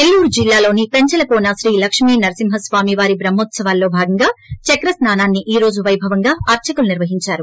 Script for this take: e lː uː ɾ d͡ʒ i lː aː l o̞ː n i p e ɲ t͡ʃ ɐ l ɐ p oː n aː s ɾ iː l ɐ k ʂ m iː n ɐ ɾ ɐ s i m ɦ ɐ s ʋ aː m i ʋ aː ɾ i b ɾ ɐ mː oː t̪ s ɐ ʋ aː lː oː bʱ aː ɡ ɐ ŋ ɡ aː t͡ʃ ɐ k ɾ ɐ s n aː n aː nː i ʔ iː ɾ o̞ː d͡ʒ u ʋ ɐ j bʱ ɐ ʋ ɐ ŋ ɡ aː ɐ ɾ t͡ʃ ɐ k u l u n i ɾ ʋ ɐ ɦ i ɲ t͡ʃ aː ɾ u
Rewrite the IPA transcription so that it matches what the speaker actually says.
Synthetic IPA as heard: e lː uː ɾ d͡ʒ i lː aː l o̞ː n i p e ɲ t͡ʃ ɐ l ɐ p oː n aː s ɾ iː l ɐ k ʂ m iː n ɐ ɾ ɐ s i m ɦ ɐ s ʋ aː m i ʋ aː ɾ i b ɾ ɐ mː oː t̪ s ɐ ʋ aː lː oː bʱ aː ɡ ɐ ŋ ɡ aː t͡ʃ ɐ k ɾ ɐ s n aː n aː nː i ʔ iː ɾ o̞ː d͡ʒ u ʋ ɐ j bʱ ɐ ʋ ɐ ŋ ɡ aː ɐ ɾ t͡ʃ ɐ k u l u n i ɾ ʋ ɐ ɦ i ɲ t͡ʃ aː ɾ u